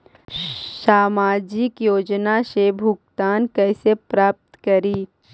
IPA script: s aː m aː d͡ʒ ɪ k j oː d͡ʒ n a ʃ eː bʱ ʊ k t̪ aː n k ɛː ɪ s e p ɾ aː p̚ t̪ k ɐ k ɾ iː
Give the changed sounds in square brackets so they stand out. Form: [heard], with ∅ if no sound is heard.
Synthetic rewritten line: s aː m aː d͡ʒ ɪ k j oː d͡ʒ n a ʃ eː bʱ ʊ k t̪ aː n k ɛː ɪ s e p ɾ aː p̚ t̪ k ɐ [∅] ɾ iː